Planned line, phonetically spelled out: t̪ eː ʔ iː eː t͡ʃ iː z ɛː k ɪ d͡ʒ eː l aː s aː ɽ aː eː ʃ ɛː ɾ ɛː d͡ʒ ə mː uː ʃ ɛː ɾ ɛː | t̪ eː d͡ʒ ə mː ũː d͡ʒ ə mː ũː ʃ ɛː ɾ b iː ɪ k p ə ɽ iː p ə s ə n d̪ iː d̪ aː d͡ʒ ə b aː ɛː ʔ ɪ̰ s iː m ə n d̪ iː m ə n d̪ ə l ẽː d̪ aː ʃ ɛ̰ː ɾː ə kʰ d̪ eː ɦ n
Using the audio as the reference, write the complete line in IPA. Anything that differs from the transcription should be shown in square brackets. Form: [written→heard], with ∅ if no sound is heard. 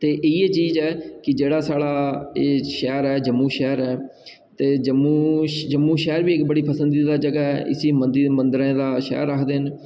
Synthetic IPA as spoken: t̪ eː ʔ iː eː t͡ʃ iː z ɛː k ɪ d͡ʒ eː [l→ɽ] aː s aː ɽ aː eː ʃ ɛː ɾ ɛː d͡ʒ ə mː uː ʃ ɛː ɾ ɛː | t̪ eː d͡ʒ ə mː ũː d͡ʒ ə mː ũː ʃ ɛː ɾ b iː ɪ k [p→b] ə ɽ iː p ə s ə n d̪ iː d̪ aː d͡ʒ ə [b→ɡ] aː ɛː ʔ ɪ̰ s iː m ə n d̪ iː m ə n d̪ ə [l→ɾ] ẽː d̪ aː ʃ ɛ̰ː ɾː ə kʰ d̪ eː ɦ n